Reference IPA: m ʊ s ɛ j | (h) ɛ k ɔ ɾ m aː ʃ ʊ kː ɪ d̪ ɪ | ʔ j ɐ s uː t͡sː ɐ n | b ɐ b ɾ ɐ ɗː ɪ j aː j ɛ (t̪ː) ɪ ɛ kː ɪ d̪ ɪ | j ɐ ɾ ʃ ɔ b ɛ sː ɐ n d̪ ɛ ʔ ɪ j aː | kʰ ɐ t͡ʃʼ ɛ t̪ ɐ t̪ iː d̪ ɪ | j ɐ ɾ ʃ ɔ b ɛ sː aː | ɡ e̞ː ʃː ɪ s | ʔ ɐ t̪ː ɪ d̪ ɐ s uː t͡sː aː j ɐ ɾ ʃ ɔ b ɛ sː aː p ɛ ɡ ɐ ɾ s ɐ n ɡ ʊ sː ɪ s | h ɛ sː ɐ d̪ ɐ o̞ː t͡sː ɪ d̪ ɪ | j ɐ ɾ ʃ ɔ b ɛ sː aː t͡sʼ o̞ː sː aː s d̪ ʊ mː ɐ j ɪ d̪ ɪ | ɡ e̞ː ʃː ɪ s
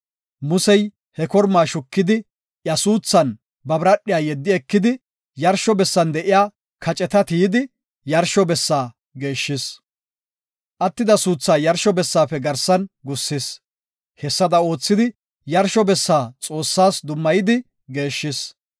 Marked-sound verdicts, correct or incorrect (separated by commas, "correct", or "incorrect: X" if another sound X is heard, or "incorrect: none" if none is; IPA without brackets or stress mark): correct, incorrect: d̪ː